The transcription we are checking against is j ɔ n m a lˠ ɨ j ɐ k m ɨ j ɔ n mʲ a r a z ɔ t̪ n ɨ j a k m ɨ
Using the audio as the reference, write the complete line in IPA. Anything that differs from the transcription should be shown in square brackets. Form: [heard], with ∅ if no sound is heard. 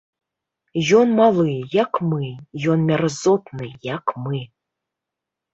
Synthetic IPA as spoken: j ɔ n m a lˠ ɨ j [a] k m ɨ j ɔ n mʲ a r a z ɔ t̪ n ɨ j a k m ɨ